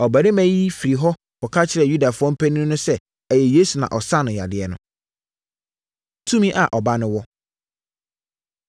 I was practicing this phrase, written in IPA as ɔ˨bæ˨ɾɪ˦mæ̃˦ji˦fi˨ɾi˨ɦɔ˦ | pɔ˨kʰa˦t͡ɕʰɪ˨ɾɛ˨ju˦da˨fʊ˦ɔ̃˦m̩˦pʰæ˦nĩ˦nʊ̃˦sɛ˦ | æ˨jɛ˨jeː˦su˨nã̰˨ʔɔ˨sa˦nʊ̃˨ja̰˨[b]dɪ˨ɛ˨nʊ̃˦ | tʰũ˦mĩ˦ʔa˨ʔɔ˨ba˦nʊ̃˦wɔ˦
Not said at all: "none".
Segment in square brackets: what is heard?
none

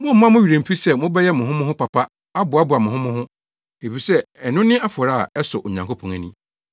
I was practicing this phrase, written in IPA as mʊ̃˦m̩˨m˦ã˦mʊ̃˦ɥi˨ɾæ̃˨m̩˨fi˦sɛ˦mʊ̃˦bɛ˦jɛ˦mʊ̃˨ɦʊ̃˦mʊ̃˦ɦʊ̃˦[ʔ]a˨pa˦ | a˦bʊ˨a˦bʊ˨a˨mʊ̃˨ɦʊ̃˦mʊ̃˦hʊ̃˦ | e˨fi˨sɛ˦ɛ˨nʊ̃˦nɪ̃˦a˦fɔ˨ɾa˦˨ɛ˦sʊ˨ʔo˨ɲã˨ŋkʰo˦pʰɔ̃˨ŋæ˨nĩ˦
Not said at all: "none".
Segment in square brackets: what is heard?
p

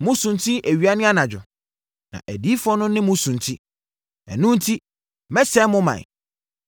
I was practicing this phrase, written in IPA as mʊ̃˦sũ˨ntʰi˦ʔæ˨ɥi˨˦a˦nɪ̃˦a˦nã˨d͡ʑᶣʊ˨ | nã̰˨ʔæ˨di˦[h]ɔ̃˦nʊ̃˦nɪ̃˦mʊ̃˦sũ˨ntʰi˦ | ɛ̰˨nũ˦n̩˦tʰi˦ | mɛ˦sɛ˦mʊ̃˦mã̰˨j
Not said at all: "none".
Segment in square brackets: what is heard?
f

